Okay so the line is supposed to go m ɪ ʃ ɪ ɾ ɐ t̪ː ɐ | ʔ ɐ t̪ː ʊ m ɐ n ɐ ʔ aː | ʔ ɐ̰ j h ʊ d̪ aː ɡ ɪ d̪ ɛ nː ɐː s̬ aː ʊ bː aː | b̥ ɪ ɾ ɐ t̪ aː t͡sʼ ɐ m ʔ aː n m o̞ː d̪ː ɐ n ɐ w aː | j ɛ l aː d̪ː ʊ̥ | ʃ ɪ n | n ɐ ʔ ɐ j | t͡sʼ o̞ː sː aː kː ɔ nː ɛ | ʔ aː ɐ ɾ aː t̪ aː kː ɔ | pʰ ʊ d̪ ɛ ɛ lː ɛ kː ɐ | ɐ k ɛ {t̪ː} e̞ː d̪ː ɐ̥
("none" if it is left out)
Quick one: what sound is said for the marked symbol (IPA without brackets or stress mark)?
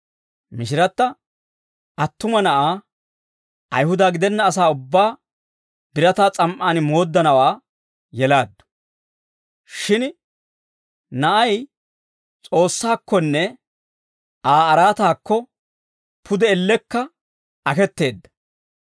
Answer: t̪ː